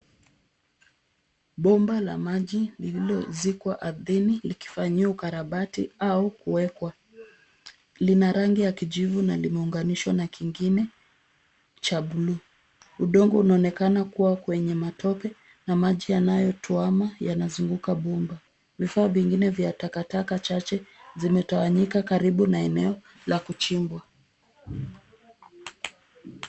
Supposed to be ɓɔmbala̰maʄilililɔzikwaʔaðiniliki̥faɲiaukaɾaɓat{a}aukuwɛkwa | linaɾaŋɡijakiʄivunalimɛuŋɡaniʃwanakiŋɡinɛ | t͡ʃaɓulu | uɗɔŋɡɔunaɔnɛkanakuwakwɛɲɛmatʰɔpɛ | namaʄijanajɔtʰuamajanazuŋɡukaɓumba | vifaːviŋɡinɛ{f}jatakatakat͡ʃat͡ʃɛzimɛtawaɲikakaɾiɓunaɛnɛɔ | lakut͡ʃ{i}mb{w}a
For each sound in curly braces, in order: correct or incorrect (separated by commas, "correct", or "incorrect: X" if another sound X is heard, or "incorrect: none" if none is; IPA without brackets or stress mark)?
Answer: incorrect: i, incorrect: v, correct, correct